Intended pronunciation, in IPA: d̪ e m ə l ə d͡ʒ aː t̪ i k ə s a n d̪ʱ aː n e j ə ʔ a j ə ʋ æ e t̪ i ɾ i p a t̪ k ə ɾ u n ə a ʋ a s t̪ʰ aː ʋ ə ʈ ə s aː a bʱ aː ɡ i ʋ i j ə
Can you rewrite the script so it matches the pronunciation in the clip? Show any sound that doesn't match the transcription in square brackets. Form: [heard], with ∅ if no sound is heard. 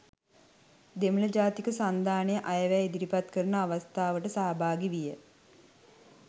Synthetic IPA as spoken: d̪ e m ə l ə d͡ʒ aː t̪ i k ə s a n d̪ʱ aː n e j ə ʔ a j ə ʋ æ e [d̪] i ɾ i p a t̪ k ə ɾ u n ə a ʋ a s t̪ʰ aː ʋ ə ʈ ə s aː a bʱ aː ɡ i ʋ i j ə

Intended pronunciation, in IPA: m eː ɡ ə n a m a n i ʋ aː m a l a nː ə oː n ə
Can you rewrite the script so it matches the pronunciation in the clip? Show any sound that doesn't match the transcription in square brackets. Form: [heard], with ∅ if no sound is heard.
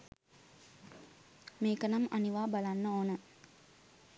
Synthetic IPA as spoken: m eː [k] ə n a m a n i ʋ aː [b] a l a nː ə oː n ə

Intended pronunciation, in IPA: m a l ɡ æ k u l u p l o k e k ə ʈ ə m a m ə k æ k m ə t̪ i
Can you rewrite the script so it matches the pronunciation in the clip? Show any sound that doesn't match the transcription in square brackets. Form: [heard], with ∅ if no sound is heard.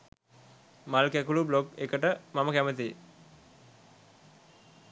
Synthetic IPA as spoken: m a l [k] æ k u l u [b] l o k e k ə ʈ ə m a m ə k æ [∅] m ə t̪ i

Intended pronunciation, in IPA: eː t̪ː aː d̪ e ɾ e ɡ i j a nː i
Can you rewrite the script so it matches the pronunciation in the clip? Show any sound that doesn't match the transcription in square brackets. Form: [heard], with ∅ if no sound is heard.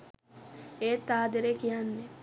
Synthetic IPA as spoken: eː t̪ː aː d̪ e ɾ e [k] i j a nː [e]

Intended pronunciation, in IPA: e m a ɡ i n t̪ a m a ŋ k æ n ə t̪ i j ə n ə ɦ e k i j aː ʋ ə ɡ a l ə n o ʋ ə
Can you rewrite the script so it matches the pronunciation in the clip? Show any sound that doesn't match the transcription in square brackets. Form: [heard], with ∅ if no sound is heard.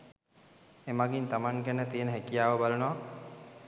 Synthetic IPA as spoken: e m a ɡ i n t̪ a m a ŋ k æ n ə t̪ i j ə n ə ɦ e k i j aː ʋ ə [b] a l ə n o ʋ [a]

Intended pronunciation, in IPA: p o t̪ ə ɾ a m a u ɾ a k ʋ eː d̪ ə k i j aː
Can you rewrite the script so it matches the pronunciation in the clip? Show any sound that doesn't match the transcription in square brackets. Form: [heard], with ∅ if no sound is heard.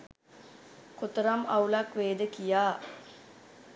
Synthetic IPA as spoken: [k] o t̪ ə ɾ a m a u [l] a k ʋ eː d̪ ə k i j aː

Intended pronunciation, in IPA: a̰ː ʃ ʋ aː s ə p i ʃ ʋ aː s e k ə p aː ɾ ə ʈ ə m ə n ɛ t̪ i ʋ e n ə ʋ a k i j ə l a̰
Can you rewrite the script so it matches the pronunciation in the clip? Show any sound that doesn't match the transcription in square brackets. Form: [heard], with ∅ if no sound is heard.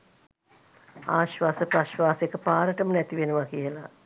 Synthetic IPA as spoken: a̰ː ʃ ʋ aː s ə p [a] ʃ ʋ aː s e k ə p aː ɾ ə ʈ ə m ə n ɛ t̪ i ʋ e n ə ʋ a k i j ə l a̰

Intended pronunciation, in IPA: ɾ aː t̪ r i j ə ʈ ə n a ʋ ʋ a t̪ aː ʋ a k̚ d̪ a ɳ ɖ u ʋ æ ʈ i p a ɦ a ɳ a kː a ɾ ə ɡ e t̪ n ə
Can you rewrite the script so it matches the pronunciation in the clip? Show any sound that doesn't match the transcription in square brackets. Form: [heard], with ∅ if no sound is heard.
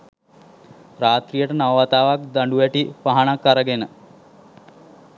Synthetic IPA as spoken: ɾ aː t̪ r i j ə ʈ ə n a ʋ ʋ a t̪ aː ʋ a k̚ d̪ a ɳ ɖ u ʋ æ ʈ i p a ɦ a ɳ a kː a ɾ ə ɡ e [∅] n ə

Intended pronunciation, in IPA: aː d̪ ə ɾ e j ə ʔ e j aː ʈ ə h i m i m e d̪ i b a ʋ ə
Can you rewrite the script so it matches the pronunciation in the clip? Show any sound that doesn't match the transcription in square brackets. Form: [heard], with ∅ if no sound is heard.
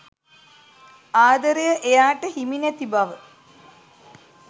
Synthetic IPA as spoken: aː d̪ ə ɾ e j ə ʔ e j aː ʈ ə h i m i [n] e [t̪] i b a ʋ ə

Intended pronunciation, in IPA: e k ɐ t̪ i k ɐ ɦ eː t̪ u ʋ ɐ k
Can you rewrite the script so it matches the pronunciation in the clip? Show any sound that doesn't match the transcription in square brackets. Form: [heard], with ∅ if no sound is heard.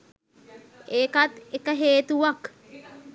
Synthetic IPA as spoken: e k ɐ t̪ [e] k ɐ ɦ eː t̪ u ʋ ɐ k

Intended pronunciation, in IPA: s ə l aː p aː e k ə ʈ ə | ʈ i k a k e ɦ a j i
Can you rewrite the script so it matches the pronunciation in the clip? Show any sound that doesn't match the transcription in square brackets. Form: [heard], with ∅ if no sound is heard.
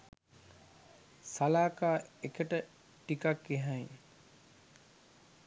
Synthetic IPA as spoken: s [a] l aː [k] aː e k ə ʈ ə | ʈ i k a k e ɦ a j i

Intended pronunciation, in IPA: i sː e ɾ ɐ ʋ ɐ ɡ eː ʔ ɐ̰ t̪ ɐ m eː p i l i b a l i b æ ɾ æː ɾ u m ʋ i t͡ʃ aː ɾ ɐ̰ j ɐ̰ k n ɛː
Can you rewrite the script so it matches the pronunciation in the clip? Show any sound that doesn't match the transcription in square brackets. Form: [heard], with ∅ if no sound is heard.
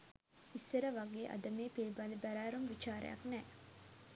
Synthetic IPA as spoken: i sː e ɾ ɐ ʋ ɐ ɡ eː ʔ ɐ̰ [d̪] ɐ m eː p i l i b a l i b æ ɾ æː ɾ u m ʋ i t͡ʃ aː ɾ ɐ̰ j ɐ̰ k n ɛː

